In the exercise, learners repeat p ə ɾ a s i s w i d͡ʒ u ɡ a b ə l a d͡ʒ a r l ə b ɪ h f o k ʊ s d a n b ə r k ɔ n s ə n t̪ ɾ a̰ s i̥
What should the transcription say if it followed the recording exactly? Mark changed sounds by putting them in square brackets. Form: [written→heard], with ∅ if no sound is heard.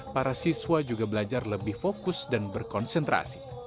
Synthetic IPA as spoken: p [ə→a] ɾ a s i s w [i→a] d͡ʒ u ɡ a b ə l a d͡ʒ a r l ə b ɪ h f o k ʊ s d a n b ə r k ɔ n s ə n t̪ ɾ a̰ s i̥